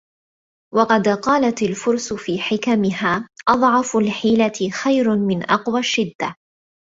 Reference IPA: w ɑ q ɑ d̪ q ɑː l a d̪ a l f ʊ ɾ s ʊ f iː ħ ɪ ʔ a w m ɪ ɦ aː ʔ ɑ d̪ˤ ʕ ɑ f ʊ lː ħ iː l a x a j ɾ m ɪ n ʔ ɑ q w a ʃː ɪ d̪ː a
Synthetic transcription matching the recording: w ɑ q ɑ d̪ q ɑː l a t̪ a l f ʊ ɾ s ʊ f iː ħ ɪ k a m ɪ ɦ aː ʔ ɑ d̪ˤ ʕ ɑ f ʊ l ħ iː l a x a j ɾ m ɪ n ʔ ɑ q w a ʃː ɪ d̪ː a